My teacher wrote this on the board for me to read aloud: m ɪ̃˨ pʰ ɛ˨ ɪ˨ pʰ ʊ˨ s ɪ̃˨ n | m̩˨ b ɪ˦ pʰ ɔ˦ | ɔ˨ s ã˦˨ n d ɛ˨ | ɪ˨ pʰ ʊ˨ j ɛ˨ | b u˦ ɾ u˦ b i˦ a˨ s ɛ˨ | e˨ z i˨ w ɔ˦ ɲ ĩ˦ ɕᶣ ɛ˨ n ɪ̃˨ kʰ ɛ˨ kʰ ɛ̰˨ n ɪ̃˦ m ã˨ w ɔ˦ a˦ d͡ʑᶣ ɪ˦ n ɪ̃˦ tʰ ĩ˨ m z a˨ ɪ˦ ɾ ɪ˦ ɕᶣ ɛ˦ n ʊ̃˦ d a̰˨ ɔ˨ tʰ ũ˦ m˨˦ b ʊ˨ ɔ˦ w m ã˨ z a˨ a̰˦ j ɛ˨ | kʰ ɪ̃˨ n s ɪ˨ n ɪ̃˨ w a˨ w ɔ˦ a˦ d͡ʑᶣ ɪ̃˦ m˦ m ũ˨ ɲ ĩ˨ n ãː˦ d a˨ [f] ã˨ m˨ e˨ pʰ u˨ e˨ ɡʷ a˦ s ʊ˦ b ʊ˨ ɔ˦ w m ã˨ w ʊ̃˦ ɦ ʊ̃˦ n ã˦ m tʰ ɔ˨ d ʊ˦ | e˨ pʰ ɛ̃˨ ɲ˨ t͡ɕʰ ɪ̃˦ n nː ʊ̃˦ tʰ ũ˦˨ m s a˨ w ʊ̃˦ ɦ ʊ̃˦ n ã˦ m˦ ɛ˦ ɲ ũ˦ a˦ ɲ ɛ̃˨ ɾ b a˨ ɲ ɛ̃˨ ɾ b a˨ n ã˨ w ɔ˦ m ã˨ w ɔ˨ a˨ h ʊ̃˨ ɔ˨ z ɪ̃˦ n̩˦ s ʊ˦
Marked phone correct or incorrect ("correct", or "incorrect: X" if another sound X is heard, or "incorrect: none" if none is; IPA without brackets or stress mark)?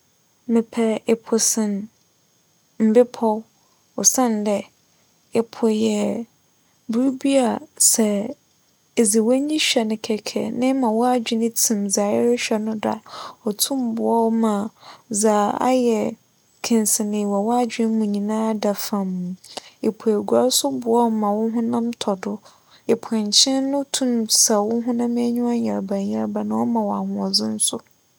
correct